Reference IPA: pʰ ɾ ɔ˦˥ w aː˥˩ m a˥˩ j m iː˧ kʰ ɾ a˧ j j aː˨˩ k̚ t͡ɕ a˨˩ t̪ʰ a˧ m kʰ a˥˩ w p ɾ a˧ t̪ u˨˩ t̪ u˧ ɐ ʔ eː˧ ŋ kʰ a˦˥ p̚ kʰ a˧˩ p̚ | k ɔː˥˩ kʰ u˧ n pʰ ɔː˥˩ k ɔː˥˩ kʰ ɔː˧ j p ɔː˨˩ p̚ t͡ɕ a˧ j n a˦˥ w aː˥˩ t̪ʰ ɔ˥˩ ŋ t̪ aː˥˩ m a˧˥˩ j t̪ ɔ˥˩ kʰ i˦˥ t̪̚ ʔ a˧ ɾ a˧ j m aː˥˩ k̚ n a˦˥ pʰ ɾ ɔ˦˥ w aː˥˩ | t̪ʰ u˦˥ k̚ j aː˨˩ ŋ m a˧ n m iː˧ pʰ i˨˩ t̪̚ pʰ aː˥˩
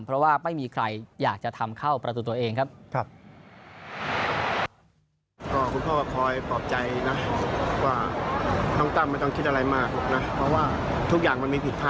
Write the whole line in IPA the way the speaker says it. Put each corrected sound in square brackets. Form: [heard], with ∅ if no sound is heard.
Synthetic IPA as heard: pʰ ɾ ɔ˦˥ w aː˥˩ m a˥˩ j m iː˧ kʰ ɾ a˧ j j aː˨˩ k̚ t͡ɕ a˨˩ t̪ʰ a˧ m kʰ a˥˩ w p ɾ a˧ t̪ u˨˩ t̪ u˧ ɐ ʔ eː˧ ŋ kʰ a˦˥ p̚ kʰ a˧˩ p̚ | k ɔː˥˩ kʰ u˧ n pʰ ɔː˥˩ k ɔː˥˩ kʰ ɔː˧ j p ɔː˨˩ p̚ t͡ɕ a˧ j n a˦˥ w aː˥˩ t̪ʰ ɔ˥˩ ŋ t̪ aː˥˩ m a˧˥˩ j t̪ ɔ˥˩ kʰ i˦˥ t̪̚ ʔ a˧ ɾ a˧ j m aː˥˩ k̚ n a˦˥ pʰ ɾ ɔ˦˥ w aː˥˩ | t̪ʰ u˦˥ k̚ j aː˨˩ ŋ m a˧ n m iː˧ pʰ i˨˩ t̪̚ pʰ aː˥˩